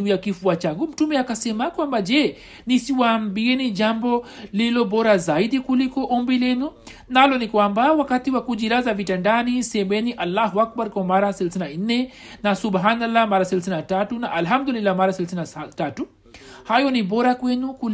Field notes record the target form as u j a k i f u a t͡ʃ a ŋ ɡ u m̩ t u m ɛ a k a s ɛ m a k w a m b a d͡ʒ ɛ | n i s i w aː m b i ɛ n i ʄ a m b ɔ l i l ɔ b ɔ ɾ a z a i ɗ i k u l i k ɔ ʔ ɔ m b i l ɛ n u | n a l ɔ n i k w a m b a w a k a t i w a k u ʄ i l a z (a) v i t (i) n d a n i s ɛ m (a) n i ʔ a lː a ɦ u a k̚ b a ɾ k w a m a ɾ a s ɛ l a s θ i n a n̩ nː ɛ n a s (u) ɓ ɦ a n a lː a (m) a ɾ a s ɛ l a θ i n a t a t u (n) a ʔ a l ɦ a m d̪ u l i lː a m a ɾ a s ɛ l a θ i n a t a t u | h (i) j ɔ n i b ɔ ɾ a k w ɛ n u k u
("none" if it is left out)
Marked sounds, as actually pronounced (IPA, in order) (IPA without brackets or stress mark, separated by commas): a, a, ɛ, u, m, n, a